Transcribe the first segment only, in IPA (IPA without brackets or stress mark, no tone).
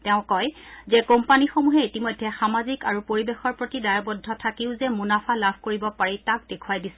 t